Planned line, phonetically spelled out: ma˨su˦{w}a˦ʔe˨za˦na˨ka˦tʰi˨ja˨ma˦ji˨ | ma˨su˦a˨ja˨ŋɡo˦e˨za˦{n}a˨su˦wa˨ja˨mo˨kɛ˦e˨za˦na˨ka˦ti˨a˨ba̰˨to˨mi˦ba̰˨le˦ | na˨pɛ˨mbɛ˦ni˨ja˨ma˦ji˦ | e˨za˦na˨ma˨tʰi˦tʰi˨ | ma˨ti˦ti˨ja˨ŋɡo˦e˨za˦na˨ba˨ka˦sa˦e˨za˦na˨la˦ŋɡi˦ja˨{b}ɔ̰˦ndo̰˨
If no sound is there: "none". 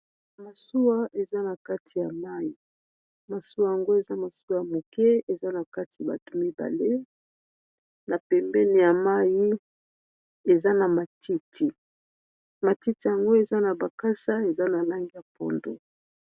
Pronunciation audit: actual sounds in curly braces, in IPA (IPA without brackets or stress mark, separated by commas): w, m, p